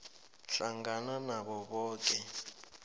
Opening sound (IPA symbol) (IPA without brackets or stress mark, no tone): ɬ